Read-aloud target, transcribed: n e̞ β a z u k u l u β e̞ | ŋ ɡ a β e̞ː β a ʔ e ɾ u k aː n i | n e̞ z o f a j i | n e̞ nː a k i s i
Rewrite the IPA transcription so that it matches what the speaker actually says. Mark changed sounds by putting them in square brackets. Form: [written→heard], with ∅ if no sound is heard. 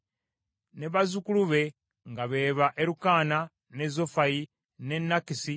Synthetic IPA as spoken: n e̞ β a z u k u l u β e̞ | ŋ ɡ a β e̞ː β a ʔ e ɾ u k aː n [i→a] | n e̞ z o f a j i | n e̞ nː a k i s i

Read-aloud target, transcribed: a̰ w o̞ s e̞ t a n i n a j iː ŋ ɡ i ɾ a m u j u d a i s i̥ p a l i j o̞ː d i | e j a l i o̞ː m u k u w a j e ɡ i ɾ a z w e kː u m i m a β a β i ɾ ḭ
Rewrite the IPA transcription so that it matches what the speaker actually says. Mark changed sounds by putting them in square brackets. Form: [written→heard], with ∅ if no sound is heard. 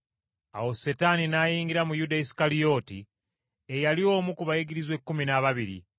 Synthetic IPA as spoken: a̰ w o̞ s e̞ t a n i n a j iː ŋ ɡ i ɾ a m u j u d a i s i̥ [p→k] a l i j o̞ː [d→t] i | e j a l i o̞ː m u k u [w→β] a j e ɡ i ɾ [a→i] z w e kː u m i [m→n] a β a β i ɾ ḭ

